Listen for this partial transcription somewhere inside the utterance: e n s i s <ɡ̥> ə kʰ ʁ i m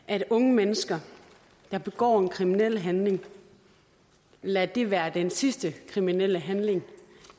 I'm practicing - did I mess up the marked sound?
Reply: yes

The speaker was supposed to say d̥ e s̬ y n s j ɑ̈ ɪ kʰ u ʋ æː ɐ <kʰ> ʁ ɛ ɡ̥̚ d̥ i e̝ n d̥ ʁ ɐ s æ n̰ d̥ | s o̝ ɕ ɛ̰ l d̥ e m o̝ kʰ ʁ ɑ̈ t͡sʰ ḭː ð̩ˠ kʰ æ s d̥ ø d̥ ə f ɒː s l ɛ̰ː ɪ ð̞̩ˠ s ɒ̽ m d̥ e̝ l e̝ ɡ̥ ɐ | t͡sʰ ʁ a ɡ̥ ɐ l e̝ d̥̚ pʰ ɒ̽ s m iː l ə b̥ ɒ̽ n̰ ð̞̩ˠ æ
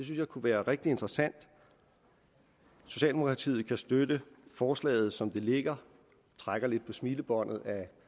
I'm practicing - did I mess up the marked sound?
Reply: yes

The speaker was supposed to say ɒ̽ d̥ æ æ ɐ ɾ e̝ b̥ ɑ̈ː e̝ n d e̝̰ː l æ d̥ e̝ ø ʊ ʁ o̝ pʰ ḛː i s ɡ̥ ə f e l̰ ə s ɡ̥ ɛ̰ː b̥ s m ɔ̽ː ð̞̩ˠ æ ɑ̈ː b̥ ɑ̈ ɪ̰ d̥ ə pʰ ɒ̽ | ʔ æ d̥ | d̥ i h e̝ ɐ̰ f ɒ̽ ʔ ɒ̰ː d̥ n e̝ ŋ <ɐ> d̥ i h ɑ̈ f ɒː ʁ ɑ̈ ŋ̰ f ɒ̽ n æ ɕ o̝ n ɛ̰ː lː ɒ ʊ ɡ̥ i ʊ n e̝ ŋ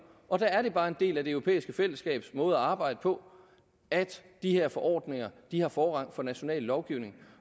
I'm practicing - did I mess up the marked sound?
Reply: no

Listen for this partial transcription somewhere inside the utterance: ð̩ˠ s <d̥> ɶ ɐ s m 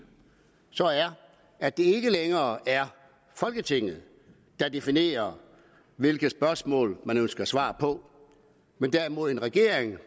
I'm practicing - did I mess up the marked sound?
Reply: yes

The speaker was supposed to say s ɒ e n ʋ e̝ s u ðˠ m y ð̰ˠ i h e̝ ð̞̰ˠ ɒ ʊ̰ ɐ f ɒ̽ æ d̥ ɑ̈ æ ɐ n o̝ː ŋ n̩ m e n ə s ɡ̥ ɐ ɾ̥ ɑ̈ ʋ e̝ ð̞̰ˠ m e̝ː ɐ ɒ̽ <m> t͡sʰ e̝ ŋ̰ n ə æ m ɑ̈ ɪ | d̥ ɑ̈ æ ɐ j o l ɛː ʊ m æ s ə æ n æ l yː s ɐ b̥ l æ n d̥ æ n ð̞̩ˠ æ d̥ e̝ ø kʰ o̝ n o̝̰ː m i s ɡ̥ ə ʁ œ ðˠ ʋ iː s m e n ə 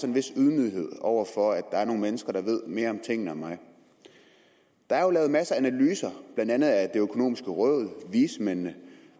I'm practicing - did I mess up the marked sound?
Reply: no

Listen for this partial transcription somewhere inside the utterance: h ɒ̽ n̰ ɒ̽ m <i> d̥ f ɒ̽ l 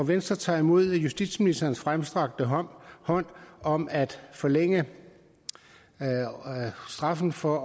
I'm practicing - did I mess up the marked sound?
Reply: yes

